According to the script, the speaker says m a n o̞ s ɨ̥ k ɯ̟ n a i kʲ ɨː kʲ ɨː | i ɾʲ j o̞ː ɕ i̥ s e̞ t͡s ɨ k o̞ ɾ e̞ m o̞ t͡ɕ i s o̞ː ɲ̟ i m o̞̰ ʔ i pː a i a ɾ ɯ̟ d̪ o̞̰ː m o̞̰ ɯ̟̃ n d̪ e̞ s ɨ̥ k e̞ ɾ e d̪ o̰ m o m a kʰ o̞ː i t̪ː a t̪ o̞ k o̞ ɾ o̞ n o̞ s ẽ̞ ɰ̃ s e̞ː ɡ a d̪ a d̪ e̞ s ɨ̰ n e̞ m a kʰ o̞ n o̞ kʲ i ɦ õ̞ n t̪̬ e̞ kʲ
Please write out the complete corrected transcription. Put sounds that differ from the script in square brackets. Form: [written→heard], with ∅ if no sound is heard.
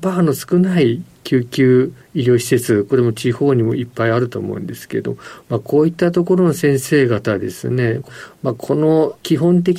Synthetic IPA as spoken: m a n o̞ s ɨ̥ k ɯ̟ n a i kʲ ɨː kʲ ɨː | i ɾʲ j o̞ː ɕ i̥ s e̞ t͡s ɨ k o̞ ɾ e̞ m o̞ t͡ɕ i [s→h] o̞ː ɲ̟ i m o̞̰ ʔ i pː a i a ɾ ɯ̟ [d̪→t̪] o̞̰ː m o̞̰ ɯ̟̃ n d̪ e̞ s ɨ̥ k e̞ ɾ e d̪ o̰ m o m a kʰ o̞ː i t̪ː a t̪ o̞ k o̞ ɾ o̞ n o̞ s ẽ̞ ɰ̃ s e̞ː ɡ a [d̪→t̪] a d̪ e̞ s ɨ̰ n e̞ m a kʰ o̞ n o̞ kʲ i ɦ õ̞ n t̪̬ e̞ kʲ